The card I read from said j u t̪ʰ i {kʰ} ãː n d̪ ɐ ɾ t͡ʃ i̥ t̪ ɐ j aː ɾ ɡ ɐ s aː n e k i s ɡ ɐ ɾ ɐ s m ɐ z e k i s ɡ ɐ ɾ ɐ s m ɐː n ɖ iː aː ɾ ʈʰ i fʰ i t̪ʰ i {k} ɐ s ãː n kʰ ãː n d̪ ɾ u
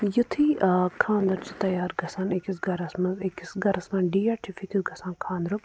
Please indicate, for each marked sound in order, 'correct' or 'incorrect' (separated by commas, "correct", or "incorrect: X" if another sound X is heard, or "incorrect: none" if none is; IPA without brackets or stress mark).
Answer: correct, incorrect: ɡ